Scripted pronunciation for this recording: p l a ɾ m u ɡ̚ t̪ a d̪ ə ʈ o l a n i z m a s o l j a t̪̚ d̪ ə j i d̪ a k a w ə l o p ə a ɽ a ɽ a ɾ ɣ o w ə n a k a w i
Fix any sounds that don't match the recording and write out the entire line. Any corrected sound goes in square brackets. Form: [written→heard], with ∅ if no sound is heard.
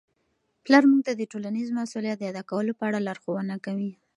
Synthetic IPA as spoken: p l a ɾ m u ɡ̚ t̪ a d̪ ə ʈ o l a n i z m a s [o→u] l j a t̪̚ d̪ ə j [i→a] d̪ a k a w ə l o p ə a ɽ a [ɽ→l] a ɾ [ɣ→x] o w ə n a k a w i